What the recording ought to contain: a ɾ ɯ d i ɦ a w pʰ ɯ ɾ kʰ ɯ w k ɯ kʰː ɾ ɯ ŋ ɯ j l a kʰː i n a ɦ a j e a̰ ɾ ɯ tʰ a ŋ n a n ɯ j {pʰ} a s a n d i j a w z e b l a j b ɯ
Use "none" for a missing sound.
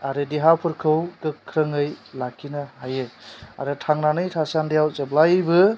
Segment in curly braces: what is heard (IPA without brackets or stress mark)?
tʰ